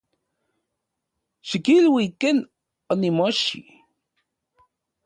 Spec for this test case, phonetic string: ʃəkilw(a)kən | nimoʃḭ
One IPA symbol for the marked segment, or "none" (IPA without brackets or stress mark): i